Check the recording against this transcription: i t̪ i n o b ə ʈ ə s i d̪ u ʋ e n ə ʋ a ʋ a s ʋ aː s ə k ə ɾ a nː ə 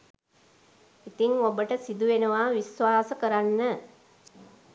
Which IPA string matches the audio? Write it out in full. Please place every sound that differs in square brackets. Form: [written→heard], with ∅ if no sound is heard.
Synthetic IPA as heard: i t̪ i [n→ŋ] o b ə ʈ ə s i d̪ u ʋ e n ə ʋ a ʋ [a→i] s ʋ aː s ə k ə ɾ a nː ə